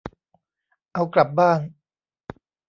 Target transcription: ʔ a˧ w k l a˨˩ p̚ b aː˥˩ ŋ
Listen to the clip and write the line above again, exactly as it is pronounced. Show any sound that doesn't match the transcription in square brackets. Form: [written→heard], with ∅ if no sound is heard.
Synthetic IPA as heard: ʔ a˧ w k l a˨˩ p̚ b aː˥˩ ŋ